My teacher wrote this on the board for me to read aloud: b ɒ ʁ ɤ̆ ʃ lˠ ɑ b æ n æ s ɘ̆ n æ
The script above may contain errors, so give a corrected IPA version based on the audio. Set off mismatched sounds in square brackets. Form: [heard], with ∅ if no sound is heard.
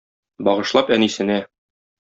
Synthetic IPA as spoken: b ɒ ʁ ɤ̆ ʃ lˠ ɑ [p] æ n [i] s ɘ̆ n æ